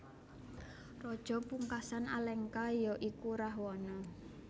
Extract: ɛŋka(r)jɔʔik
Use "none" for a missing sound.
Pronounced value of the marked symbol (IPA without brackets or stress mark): none